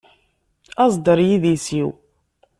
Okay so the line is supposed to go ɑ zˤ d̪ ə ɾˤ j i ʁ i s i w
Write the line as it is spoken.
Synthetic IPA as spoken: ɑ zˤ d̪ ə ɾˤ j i ð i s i w